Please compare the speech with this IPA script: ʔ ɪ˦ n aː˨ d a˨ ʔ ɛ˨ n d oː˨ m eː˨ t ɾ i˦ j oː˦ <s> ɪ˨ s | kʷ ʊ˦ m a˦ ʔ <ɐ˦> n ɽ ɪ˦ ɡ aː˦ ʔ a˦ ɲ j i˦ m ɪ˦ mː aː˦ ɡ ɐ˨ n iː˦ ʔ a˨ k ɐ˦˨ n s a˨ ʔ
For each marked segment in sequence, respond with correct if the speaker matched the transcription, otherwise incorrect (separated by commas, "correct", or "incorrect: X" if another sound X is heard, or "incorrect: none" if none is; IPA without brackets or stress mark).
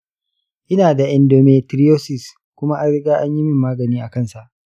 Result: correct, incorrect: a˦